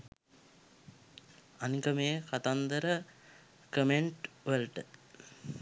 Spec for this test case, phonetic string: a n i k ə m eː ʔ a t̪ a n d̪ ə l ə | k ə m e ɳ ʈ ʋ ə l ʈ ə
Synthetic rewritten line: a n i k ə m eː k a t̪ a n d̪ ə ɾ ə | k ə m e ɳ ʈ ʋ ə l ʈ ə